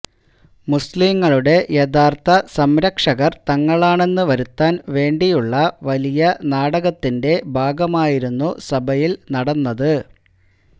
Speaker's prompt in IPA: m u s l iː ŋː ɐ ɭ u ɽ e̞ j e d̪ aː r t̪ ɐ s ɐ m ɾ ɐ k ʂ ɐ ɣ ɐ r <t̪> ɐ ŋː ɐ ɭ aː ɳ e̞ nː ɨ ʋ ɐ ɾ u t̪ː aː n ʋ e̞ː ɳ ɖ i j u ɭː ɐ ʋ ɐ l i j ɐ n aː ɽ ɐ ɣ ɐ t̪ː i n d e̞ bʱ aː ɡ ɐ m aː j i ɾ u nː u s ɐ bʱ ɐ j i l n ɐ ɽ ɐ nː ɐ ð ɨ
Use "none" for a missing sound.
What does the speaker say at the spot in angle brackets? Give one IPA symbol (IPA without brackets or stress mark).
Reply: t̪